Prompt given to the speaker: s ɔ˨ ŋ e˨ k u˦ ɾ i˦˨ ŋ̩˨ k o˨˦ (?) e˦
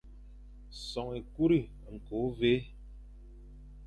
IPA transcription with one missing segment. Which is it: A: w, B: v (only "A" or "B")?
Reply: B